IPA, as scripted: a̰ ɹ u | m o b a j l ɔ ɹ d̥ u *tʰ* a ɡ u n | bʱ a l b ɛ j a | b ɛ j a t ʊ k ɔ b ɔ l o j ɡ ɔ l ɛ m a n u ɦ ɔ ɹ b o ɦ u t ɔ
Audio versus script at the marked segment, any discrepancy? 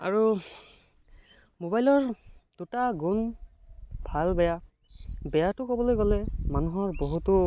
yes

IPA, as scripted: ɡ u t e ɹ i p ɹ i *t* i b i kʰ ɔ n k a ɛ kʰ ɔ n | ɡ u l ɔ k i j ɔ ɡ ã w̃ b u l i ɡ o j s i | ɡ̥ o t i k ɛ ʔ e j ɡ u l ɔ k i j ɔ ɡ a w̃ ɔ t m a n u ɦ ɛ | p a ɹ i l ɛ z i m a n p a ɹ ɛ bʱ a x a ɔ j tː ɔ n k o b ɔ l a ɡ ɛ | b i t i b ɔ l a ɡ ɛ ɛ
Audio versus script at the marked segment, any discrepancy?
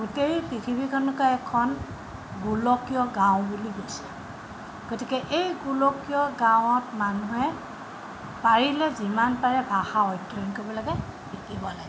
yes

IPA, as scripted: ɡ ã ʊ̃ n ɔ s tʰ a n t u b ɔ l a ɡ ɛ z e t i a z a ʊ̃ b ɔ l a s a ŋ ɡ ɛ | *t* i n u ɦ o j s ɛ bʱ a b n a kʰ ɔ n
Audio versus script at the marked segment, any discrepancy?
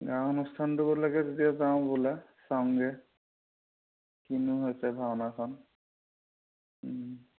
yes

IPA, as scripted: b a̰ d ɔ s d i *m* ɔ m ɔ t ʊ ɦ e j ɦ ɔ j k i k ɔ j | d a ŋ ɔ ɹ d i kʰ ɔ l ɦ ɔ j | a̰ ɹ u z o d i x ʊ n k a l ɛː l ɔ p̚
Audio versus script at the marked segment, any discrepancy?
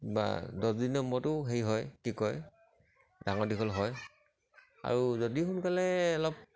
yes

